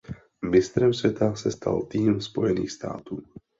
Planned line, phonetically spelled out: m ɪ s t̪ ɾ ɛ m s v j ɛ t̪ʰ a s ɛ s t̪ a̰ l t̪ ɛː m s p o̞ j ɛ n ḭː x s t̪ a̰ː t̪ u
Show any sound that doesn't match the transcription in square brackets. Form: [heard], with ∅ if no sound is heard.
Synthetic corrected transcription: m ɪ s t̪ ɾ ɛ m s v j ɛ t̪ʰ a s ɛ s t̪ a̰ l t̪ [iː] m s p o̞ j ɛ n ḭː x s t̪ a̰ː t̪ [uː]